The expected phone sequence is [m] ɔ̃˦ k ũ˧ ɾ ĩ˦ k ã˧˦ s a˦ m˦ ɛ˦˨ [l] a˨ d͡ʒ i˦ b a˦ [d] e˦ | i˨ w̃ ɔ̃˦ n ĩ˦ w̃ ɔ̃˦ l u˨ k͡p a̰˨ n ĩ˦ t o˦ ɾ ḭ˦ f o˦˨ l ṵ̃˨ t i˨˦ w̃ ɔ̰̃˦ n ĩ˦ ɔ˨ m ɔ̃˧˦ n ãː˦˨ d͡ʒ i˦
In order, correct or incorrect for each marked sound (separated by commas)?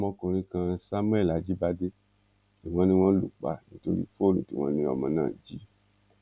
correct, correct, correct